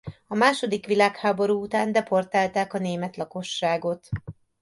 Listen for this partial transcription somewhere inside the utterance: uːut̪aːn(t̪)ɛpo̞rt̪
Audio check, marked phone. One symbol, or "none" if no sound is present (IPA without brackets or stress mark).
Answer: d̪